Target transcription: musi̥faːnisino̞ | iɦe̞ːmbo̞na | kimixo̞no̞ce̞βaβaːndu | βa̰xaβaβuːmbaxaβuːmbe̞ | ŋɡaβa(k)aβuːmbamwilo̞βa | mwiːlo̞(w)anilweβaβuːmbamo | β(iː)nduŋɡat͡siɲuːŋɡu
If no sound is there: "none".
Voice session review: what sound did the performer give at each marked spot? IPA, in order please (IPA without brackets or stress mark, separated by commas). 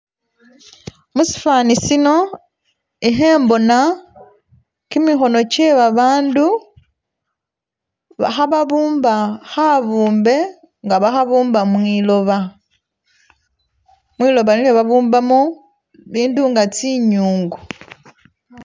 x, β, iː